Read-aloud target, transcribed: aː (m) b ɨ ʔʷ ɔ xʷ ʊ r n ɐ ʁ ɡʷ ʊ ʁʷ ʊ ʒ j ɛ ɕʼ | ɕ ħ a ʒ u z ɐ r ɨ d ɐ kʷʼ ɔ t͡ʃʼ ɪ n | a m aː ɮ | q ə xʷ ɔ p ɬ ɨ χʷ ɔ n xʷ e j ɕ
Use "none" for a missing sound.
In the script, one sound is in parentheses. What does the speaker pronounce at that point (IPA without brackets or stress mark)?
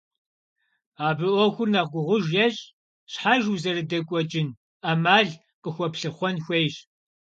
none